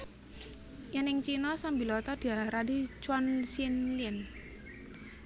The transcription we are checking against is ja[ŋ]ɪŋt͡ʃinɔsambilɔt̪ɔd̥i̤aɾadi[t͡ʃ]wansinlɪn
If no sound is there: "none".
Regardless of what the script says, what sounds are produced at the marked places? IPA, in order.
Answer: n, t͡ʃ

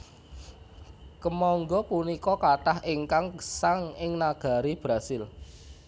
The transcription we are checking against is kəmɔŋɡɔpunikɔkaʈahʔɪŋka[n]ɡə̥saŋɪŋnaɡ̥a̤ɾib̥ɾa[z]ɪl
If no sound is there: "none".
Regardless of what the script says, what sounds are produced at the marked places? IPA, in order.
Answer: ŋ, s

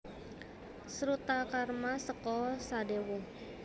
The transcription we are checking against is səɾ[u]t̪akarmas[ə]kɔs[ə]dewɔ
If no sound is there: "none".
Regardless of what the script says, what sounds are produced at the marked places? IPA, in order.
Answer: u, ə, a

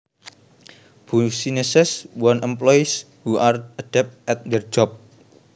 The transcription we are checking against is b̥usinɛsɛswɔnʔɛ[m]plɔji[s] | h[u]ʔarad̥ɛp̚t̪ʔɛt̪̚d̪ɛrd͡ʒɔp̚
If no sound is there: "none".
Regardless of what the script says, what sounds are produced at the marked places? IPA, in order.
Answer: m, s, u

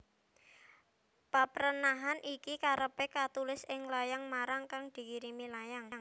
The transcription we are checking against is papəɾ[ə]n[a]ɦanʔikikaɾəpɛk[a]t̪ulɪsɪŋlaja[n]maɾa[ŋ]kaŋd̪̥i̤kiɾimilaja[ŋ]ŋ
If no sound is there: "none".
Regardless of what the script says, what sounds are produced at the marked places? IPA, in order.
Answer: ə, a, a, ŋ, ŋ, ŋ

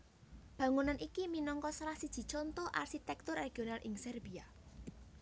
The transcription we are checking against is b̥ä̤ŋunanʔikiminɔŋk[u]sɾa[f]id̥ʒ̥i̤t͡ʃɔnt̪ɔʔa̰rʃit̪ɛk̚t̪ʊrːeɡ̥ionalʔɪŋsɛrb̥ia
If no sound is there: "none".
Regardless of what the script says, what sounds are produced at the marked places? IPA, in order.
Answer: ɔ, s

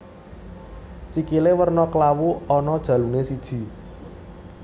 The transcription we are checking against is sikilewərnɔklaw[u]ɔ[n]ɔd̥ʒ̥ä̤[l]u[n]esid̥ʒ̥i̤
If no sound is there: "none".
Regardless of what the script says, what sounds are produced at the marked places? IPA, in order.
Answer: u, n, l, n

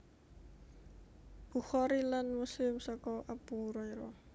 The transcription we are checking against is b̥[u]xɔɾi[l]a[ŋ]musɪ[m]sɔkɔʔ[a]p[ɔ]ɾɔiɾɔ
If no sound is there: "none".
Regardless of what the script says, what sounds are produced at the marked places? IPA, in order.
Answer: u, l, n, m, a, u

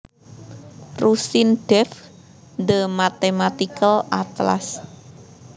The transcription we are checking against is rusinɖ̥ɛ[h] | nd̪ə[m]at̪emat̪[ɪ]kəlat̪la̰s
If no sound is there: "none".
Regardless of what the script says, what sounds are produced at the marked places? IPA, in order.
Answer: f, m, i

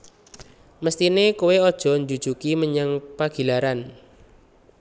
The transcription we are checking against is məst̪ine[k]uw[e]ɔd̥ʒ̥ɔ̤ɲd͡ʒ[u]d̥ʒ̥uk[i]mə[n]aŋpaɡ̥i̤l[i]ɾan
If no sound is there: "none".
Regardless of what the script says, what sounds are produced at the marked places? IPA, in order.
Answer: k, e, u, i, ɲ, a

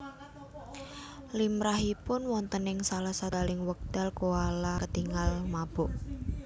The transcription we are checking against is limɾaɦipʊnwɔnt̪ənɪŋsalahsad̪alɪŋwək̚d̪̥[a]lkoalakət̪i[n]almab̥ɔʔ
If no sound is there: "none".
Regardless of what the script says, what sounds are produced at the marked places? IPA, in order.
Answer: a, ŋ

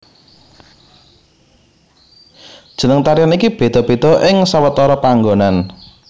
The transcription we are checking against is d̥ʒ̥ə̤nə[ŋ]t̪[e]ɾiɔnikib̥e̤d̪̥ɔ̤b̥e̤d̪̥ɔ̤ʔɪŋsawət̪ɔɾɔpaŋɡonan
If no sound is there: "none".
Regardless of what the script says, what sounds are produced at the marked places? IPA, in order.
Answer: ŋ, a

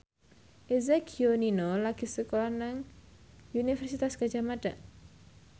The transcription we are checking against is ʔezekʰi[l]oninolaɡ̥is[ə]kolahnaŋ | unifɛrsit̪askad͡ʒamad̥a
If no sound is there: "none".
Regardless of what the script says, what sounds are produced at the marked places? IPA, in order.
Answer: none, ə

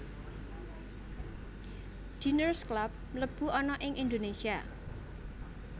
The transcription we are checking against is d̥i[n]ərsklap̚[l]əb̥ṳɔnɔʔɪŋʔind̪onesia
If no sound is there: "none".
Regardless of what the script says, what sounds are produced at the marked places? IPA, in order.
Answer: n, l

